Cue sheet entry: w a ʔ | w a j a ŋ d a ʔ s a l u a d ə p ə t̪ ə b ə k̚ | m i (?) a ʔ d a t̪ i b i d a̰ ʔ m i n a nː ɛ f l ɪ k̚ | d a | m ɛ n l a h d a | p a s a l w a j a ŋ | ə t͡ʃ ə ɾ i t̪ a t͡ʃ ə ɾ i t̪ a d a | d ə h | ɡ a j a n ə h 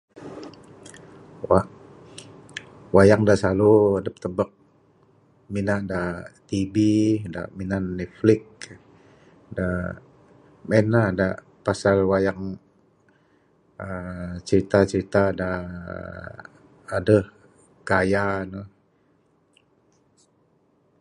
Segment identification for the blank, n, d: n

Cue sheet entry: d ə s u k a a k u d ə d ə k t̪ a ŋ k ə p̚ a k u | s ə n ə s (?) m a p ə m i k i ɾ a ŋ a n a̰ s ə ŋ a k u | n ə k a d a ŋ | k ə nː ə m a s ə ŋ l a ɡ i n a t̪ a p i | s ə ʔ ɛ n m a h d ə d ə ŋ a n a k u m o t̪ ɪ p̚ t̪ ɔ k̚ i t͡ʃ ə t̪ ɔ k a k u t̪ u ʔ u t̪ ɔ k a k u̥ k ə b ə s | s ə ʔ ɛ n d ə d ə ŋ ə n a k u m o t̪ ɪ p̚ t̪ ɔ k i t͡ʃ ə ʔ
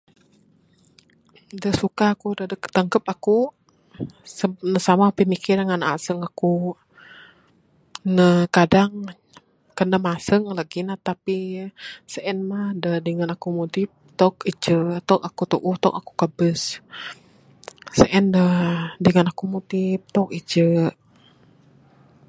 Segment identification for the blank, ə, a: a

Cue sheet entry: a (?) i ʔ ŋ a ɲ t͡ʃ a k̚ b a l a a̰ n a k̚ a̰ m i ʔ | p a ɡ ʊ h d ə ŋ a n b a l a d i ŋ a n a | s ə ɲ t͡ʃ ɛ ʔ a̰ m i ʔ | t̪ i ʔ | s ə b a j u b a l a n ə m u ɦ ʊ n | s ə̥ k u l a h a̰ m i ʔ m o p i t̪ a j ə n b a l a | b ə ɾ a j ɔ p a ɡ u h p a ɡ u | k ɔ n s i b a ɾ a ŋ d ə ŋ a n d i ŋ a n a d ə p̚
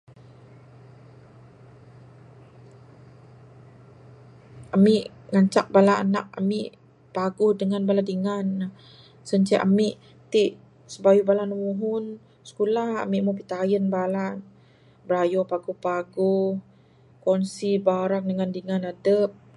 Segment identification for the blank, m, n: m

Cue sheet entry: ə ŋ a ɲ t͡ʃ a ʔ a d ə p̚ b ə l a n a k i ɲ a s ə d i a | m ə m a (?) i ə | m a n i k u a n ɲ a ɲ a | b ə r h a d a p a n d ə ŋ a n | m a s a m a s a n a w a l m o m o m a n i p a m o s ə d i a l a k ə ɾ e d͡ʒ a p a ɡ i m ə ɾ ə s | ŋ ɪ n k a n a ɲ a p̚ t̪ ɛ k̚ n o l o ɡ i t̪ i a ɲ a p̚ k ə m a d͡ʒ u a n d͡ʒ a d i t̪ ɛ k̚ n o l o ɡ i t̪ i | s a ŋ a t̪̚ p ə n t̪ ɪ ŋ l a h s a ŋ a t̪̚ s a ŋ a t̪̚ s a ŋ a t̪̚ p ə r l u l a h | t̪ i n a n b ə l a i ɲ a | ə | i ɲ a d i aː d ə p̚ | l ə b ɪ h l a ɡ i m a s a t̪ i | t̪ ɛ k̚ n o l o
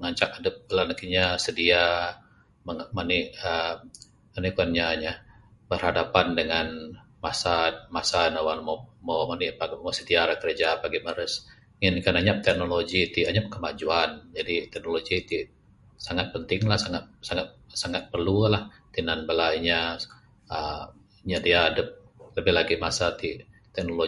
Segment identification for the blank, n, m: n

